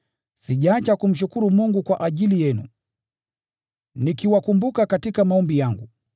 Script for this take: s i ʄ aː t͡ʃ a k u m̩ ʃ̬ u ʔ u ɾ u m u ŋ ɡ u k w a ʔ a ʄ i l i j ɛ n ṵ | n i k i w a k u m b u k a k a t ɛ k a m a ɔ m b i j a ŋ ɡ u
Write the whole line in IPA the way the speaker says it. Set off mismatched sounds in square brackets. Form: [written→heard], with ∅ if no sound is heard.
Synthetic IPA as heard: s i ʄ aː t͡ʃ a k u m̩ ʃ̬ u [ʔ→k] u ɾ u m u ŋ ɡ u k w a ʔ a ʄ i l i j ɛ n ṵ | n i k i w a k u m b u k a k a t [ɛ→i] k a m a ɔ m b i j a ŋ ɡ u